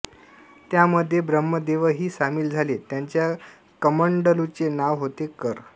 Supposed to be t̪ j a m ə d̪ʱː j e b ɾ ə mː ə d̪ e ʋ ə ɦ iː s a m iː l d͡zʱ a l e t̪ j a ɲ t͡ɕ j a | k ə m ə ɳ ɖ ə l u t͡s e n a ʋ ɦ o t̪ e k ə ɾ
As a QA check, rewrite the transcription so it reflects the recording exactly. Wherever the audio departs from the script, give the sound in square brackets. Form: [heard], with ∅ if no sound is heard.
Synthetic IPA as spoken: t̪ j a m ə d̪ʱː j e b ɾ ə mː ə d̪ e ʋ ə ɦ iː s a m iː l d͡zʱ a l e t̪ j a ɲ t͡ɕ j a | k ə m ə ɳ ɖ ə l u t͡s e n a ʋ ɦ o t̪ e k ə ɾ